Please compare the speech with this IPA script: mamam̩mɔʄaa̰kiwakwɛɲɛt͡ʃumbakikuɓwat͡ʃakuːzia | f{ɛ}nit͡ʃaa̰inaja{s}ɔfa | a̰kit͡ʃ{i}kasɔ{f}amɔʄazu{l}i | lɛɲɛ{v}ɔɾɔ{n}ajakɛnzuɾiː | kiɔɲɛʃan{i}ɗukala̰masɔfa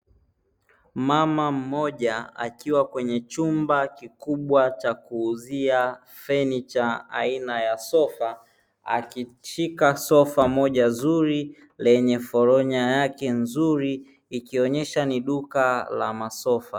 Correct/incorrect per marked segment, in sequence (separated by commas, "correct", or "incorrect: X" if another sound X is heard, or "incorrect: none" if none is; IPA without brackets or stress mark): correct, correct, correct, correct, incorrect: ɾ, incorrect: f, incorrect: ɲ, correct